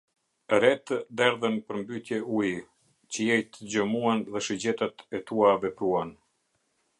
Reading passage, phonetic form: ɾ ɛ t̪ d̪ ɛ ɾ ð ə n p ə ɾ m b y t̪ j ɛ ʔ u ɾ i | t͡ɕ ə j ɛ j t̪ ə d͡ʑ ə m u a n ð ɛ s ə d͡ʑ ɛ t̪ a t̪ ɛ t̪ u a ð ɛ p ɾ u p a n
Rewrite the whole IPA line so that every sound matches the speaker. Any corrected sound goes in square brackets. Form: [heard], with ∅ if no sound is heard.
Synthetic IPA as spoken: ɾ ɛ t̪ d̪ ɛ ɾ ð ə n p ə ɾ m b y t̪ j ɛ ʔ u [∅] i | t͡ɕ ə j ɛ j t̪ ə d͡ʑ ə m u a n ð ɛ [ʃ] ə d͡ʑ ɛ t̪ a t̪ ɛ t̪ u a [v] ɛ p ɾ u [∅] a n